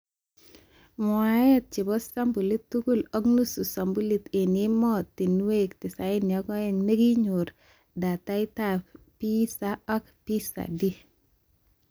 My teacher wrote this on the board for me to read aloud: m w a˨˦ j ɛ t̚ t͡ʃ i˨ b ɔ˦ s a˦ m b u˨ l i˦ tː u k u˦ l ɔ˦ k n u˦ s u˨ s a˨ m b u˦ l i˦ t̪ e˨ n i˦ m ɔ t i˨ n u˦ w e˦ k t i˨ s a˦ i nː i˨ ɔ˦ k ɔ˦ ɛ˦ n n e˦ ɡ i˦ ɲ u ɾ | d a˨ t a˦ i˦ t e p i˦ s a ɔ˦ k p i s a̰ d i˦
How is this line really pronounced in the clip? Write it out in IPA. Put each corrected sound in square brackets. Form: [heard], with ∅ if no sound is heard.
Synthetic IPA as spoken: m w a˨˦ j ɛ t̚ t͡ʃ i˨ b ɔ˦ s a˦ m b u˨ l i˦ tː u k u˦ l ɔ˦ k n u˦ s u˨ s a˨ m b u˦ l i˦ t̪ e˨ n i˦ m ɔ t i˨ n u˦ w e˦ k t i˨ s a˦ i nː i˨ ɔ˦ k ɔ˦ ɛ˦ [ŋ] n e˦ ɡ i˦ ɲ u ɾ | d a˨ t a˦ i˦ t [a] p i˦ s a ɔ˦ k p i s a̰ d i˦

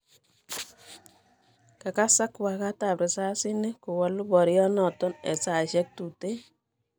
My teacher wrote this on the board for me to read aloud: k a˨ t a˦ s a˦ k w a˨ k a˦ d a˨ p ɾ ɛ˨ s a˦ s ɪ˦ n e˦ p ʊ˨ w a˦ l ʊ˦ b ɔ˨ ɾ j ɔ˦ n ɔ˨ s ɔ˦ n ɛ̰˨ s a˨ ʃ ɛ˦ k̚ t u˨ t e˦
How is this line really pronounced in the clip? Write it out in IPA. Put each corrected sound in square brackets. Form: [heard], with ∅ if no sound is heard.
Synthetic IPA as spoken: k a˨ [k] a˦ s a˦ k w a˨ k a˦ [t] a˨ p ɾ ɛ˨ s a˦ s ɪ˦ n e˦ [k] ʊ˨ w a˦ l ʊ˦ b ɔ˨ ɾ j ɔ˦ n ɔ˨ [t] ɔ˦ n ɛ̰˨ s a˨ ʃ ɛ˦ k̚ t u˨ t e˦

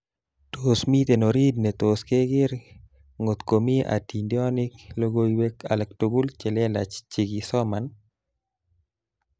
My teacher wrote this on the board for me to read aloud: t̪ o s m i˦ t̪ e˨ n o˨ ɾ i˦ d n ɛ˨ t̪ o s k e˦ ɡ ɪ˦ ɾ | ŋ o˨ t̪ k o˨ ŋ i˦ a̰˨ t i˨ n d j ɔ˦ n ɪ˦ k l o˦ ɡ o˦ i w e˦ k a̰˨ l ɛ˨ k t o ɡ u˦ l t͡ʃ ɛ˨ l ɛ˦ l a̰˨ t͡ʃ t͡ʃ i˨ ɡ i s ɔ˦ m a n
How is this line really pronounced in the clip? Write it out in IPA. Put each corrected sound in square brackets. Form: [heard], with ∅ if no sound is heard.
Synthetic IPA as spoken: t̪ o s m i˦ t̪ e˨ n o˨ ɾ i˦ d n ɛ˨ t̪ o s k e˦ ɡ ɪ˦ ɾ | ŋ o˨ t̪ k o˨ [m] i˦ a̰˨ t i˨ n d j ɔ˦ n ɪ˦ k l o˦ ɡ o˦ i w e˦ k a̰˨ l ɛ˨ k t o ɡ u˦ l t͡ʃ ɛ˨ l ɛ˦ l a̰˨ t͡ʃ t͡ʃ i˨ ɡ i s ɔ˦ m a n

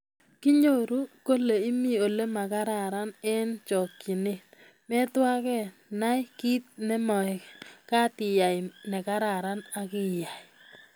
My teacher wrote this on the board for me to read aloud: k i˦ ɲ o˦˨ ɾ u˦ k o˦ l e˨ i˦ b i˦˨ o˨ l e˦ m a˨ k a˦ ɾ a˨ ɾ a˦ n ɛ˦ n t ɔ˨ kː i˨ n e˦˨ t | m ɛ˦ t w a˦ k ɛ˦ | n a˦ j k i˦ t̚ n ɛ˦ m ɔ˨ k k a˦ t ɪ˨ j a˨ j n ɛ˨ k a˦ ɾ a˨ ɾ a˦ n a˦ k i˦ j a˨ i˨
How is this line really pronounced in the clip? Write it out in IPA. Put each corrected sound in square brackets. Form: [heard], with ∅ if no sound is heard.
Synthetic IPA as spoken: k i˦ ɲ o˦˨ ɾ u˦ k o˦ l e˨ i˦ [m] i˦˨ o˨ l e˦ m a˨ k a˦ ɾ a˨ ɾ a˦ n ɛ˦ n [t͡ʃ] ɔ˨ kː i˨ n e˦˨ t | m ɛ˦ t w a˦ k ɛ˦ | n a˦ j k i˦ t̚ n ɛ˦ m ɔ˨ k k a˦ t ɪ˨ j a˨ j n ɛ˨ k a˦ ɾ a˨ ɾ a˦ n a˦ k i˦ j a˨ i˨

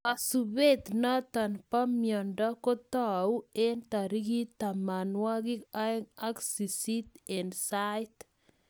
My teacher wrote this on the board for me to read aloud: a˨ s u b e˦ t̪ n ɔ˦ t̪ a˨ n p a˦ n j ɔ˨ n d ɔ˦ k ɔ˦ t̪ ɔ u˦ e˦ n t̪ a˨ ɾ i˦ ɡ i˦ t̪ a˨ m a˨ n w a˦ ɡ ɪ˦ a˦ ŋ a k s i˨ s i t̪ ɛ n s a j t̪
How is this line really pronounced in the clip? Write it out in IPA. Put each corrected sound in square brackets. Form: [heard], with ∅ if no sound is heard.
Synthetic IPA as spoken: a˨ s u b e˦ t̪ n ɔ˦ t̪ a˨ n p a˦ [m] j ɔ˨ n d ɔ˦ k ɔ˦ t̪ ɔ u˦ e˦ n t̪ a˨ ɾ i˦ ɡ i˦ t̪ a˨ m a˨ n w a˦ ɡ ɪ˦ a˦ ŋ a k s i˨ s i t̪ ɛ n s a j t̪

